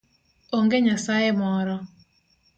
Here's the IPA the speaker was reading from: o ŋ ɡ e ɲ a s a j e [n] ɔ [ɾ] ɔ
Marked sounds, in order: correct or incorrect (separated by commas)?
incorrect, correct